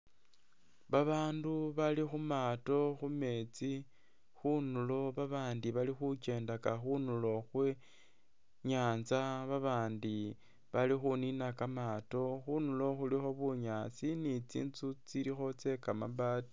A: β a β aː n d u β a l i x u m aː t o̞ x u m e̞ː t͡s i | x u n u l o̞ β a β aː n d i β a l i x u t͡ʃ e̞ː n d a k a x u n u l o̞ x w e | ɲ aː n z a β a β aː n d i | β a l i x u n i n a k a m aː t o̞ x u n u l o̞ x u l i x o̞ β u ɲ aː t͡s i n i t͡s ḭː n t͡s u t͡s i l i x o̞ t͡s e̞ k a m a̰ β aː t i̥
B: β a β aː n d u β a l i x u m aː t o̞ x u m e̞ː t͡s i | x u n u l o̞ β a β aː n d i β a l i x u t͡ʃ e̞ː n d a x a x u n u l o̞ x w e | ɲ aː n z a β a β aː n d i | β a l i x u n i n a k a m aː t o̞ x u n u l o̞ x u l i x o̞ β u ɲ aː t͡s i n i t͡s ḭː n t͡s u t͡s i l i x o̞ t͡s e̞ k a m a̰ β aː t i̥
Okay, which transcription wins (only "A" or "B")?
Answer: A